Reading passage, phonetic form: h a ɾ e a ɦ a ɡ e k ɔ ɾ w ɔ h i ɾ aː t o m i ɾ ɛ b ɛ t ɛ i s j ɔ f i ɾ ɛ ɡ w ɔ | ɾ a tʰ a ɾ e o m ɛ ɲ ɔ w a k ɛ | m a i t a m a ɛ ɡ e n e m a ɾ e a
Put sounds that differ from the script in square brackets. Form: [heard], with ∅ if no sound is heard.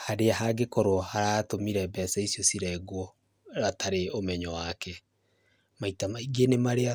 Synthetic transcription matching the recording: h a ɾ e a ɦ a ɡ e k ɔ ɾ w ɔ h [a] ɾ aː t o m i ɾ ɛ b ɛ [s] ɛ i s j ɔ [s] i ɾ ɛ ɡ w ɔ | ɾ a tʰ a ɾ e o m ɛ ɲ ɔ w a k ɛ | m a i t a m a [i] ɡ e n e m a ɾ e a